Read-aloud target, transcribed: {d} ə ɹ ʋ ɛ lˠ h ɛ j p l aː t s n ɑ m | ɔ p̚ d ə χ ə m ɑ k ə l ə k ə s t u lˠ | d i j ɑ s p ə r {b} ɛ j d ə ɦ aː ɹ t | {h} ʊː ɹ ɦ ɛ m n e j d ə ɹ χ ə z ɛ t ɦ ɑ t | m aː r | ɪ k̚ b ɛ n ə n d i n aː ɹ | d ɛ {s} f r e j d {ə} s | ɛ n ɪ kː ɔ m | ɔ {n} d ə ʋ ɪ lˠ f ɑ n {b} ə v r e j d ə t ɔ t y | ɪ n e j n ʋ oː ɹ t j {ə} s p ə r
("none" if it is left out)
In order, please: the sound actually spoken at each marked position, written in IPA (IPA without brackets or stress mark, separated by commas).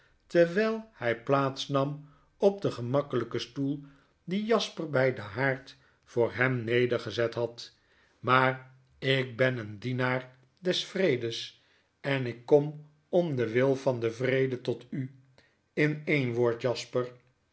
t, b, f, s, ə, m, d, ɑ